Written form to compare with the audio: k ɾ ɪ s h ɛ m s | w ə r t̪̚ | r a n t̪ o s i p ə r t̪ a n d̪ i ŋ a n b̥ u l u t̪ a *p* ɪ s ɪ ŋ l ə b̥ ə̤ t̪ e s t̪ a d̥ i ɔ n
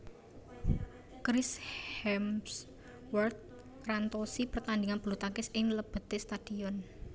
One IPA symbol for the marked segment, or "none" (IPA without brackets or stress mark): k